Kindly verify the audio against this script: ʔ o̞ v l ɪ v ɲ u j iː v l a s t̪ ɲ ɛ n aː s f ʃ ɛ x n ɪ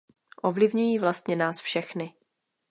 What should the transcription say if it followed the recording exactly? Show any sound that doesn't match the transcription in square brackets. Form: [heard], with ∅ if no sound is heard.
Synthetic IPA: ʔ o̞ v l ɪ v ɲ u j iː v l a s t̪ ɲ ɛ n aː s f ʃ ɛ x n ɪ

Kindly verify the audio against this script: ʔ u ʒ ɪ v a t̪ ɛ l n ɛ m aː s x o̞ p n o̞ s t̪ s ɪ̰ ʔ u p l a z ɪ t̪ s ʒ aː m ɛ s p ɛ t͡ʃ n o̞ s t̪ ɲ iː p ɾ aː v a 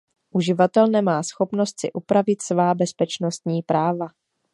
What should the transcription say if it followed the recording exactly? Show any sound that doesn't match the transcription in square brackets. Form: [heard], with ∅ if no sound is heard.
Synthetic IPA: ʔ u ʒ ɪ v a t̪ ɛ l n ɛ m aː s x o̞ p n o̞ s t̪ s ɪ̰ ʔ u p [ɾ] a [v] ɪ t̪ s [v] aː [b] ɛ s p ɛ t͡ʃ n o̞ s t̪ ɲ iː p ɾ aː v a

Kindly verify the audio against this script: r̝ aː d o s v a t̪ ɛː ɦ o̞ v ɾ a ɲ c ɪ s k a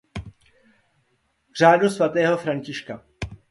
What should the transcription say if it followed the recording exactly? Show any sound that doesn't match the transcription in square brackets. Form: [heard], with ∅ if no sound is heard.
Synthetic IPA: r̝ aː d [u] s v a t̪ ɛː ɦ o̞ [f] ɾ a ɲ c ɪ [ʃ] k a

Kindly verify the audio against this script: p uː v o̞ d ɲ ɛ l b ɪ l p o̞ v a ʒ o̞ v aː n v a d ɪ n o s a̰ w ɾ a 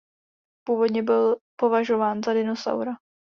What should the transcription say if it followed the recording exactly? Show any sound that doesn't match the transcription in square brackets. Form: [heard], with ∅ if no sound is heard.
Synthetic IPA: p uː v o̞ d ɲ ɛ [∅] b ɪ l p o̞ v a ʒ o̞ v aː n [z] a d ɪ n o s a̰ w ɾ a

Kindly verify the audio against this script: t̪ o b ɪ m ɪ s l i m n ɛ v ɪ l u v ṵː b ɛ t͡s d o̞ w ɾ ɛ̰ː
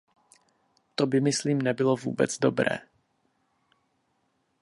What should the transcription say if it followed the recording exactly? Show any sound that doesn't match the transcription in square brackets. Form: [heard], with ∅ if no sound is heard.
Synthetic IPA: t̪ o b ɪ m ɪ s l [iː] m n ɛ [b] ɪ l [o] v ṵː b ɛ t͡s d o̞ [b] ɾ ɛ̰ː

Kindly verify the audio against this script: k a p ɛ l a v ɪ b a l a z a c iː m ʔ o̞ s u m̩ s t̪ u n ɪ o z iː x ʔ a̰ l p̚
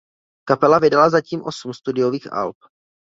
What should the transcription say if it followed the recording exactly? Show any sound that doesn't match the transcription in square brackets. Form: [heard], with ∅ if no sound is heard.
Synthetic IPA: k a p ɛ l a v ɪ [d] a l a z a c iː m ʔ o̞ s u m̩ s t̪ u [d] ɪ o [v] iː x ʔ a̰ l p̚

